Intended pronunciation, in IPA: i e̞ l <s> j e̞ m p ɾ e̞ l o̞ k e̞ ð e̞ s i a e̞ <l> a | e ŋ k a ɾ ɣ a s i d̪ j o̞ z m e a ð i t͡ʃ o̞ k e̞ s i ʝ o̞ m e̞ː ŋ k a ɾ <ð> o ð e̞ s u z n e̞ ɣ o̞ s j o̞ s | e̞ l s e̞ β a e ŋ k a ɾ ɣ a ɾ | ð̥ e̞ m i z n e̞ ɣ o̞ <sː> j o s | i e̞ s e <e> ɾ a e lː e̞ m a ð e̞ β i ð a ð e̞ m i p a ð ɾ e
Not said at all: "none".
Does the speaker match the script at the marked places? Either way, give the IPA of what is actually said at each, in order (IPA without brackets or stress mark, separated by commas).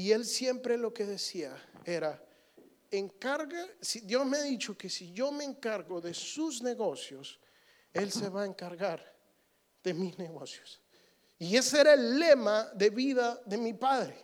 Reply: s, ɾ, ɣ, s, e